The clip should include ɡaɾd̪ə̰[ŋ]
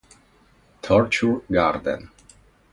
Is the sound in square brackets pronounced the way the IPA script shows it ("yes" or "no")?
no